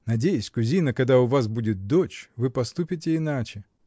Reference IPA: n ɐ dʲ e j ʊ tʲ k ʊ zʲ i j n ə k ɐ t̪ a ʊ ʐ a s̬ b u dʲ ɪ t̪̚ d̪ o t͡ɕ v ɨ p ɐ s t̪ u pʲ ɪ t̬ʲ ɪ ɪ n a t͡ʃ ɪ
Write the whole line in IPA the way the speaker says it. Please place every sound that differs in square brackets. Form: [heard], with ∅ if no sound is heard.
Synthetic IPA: n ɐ dʲ e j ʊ [sʲ] k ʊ zʲ i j n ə k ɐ [d̪] a ʊ [v] a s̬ b u dʲ ɪ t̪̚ d̪ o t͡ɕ v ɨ p ɐ s t̪ u pʲ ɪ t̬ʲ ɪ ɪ n a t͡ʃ ɪ